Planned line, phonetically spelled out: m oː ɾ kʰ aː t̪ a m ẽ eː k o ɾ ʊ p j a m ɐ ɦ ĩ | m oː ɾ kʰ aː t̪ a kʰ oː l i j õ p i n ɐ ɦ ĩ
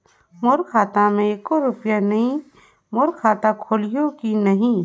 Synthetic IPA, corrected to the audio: m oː ɾ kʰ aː t̪ a m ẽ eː k o ɾ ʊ p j a n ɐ ɦ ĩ | m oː ɾ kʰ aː t̪ a kʰ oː l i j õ k i n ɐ ɦ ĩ

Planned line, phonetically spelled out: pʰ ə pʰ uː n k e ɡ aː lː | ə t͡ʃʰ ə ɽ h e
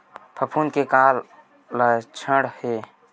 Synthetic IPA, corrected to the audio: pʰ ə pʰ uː n k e k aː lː | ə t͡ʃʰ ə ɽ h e

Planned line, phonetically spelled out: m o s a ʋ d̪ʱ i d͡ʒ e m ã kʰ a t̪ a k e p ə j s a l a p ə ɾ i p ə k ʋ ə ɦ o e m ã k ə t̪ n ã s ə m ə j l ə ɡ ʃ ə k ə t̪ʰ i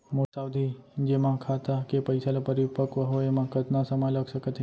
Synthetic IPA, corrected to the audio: m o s a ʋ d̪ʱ i d͡ʒ e m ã kʰ a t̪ a k e p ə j s a l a p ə ɾ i p ə k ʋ ə ɦ o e m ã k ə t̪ n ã s ə m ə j l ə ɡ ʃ ə k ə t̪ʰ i

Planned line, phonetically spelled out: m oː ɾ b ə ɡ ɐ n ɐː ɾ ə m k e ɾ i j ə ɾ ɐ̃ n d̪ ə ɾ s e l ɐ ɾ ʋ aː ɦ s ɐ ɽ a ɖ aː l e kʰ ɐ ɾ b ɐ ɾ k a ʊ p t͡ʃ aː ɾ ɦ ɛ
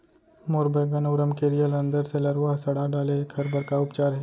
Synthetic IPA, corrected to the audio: m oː ɾ b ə ɡ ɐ n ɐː ɾ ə m k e ɾ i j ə l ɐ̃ n d̪ ə ɾ s e l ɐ ɾ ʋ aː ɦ s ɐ ɽ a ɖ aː l e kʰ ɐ ɾ b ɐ ɾ k a ʊ p t͡ʃ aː ɾ ɦ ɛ

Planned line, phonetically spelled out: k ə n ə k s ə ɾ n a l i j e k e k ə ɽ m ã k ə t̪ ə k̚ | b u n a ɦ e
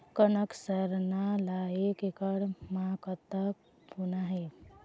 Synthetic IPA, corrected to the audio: k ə n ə k s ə ɾ n a l a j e k e k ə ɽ m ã k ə t̪ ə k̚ | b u n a ɦ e

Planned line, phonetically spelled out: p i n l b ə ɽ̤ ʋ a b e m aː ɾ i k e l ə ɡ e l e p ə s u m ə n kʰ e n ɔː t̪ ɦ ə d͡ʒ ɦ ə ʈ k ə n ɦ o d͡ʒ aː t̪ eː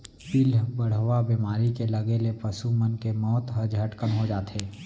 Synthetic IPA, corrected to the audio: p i l b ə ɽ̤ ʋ a b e m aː ɾ i k e l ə ɡ e l e p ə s u m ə n k e m ɔː t̪ ɦ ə d͡ʒ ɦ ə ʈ k ə n ɦ o d͡ʒ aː t̪ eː

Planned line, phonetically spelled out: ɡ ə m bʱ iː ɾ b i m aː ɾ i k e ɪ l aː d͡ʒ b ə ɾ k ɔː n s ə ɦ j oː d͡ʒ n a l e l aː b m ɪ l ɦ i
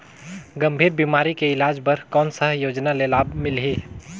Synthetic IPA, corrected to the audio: ɡ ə m bʱ iː ɾ b i m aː ɾ i k e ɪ l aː d͡ʒ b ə ɾ k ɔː n s ə ɦ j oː d͡ʒ n a l e l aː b m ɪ l ɦ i

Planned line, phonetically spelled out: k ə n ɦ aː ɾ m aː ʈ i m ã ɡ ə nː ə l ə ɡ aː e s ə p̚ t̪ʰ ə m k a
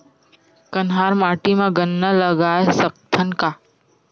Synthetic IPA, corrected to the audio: k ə n ɦ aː ɾ m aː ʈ i m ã ɡ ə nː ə l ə ɡ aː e s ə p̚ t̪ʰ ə n k a

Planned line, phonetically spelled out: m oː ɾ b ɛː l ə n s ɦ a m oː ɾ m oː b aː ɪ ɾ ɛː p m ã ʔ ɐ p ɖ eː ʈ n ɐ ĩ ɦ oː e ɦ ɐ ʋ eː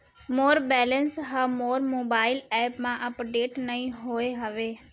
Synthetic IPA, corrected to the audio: m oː ɾ b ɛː l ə n s ɦ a m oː ɾ m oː b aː ɪ l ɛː p m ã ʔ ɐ p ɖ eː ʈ n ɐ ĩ ɦ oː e ɦ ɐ ʋ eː

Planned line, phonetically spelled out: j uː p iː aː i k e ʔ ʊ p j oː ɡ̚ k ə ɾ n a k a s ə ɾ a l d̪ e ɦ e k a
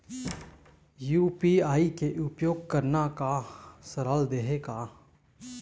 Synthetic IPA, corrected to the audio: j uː p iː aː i k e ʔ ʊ p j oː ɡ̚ k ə ɾ n a k a s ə ɾ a l d̪ e ɦ e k a

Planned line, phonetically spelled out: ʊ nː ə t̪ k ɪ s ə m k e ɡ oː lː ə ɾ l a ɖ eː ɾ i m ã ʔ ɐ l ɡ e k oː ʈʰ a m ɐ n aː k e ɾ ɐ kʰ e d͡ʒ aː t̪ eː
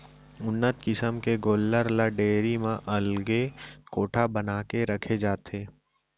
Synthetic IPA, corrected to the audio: ʊ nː ə t̪ k ɪ s ə m k e ɡ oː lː ə ɾ l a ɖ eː ɾ i m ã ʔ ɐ l ɡ e k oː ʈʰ a b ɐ n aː k e ɾ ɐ kʰ e d͡ʒ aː t̪ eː

